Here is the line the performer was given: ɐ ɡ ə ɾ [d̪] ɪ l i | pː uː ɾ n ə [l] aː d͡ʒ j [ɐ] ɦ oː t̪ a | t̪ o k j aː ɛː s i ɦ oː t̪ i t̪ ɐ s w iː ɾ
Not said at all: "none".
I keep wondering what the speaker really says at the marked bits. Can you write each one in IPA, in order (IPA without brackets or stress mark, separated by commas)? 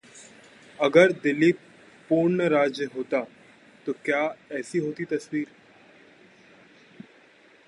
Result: d̪, ɾ, ə